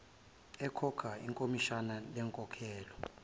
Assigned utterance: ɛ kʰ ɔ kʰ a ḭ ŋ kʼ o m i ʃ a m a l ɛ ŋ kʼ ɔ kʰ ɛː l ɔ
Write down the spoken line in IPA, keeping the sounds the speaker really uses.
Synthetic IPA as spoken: ɛ kʰ ɔ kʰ a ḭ ŋ kʼ o m i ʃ a n a l ɛ ŋ kʼ ɔ kʰ ɛː l ɔ

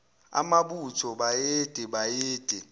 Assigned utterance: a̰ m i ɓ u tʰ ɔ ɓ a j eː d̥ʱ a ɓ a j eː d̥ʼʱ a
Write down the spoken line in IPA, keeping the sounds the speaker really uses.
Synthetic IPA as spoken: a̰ m a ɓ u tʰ ɔ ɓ a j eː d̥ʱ ɛ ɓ a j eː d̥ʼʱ ɛ

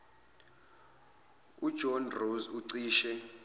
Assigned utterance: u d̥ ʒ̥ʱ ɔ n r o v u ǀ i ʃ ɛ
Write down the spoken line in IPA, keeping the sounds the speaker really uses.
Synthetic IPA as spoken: u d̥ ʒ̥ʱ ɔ n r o z u ǀ iː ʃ ɛ

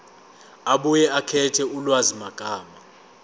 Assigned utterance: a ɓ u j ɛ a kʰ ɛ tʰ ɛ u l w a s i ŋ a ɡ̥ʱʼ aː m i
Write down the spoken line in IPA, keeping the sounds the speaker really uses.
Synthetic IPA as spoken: a ɓ u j ɛ a kʰ ɛ tʰ ɛ u l w a z i m a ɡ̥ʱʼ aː m a

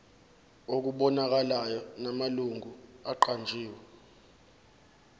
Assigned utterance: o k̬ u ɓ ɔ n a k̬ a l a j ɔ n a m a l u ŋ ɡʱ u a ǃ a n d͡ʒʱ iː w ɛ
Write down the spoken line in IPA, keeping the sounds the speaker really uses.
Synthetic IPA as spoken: o k̬ u ɓ ɔ n a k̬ a l a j ɔ n a m a l u ŋ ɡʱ u a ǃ a n d͡ʒʱ iː w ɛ

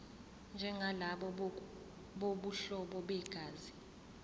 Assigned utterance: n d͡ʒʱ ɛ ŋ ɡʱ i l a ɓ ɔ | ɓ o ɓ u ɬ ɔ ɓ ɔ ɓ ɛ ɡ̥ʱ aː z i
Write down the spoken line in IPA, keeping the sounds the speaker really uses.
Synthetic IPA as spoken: n d͡ʒʱ ɛ ŋ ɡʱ a l a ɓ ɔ | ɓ o ɓ u ɬ ɔ ɓ ɔ ɓ ɛ ɡ̥ʱ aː z i

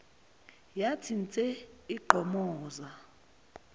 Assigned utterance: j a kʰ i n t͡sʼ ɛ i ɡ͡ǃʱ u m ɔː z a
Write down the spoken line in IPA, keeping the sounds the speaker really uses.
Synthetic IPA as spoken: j a tʰ i n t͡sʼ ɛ i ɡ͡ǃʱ ɔ m ɔː z a

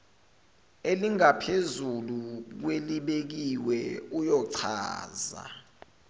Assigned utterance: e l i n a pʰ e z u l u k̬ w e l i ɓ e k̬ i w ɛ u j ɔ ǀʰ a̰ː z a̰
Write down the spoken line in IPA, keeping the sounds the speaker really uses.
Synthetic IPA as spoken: e l i ŋ a pʰ e z u l u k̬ w e l i ɓ e k̬ i w ɛ u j ɔ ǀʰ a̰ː z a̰

